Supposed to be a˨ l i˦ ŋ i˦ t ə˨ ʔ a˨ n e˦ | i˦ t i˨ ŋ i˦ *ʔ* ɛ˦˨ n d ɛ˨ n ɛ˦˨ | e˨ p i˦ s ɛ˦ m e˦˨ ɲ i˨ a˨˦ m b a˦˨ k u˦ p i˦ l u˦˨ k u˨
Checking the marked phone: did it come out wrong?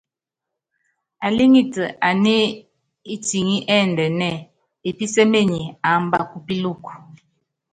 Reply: no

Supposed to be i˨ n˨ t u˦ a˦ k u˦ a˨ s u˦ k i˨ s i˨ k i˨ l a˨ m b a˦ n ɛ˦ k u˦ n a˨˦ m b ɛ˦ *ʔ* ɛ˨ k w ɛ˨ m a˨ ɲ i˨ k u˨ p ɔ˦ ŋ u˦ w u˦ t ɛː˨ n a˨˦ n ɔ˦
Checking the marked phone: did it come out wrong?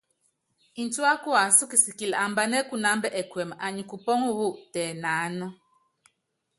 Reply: no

